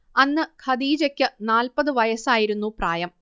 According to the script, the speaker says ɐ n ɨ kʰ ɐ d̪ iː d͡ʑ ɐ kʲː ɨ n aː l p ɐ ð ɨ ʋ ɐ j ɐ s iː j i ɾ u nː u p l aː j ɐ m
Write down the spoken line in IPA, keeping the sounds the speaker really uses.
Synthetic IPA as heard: ɐ nː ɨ kʰ ɐ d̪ iː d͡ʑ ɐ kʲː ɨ n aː l p ɐ ð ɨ ʋ ɐ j ɐ s aː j i ɾ u nː u p r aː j ɐ m